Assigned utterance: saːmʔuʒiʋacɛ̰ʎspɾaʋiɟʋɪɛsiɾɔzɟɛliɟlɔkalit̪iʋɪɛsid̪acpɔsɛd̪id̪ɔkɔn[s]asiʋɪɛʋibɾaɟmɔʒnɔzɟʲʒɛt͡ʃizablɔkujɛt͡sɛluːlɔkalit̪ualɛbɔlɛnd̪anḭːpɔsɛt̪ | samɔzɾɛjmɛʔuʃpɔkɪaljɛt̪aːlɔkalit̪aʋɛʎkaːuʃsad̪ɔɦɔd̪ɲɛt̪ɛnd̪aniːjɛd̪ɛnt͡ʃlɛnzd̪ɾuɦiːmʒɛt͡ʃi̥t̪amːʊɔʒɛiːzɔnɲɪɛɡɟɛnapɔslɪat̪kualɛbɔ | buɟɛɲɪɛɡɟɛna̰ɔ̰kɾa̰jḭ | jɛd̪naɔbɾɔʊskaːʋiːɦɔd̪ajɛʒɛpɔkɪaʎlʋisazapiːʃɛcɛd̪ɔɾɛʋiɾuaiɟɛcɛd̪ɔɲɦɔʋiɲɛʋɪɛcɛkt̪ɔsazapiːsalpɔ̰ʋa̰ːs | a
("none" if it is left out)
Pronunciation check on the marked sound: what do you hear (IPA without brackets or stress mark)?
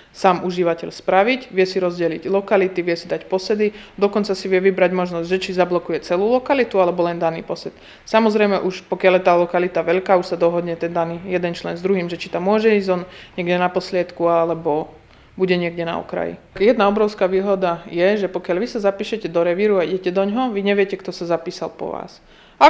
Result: t͡s